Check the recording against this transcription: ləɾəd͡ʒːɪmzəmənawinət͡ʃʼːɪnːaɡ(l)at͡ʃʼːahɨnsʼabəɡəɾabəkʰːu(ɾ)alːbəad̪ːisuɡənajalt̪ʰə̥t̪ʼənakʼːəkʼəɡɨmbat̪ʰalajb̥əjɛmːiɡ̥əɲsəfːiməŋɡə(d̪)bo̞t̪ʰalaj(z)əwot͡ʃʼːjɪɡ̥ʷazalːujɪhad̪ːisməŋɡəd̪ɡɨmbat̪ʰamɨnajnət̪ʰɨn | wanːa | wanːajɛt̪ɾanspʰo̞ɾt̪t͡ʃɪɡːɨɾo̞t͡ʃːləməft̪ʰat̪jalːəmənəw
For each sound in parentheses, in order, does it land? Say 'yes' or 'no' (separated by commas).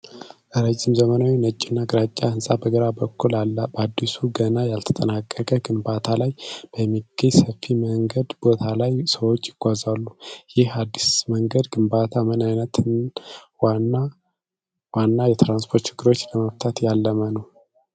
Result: no, no, yes, no